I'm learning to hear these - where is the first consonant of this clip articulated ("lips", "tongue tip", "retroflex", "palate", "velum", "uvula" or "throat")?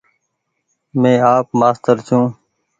lips